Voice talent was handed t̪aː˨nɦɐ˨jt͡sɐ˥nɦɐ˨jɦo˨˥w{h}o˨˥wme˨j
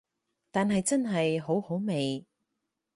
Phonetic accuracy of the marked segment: correct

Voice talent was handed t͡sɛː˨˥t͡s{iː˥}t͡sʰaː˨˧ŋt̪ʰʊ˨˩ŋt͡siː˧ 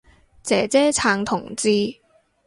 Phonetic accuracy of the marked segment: incorrect: ɛː˥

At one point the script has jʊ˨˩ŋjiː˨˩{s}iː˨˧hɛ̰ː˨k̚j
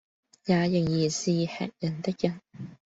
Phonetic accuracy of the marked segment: correct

